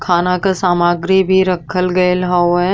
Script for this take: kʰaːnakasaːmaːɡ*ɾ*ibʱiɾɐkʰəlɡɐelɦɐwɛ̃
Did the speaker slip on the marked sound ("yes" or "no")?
no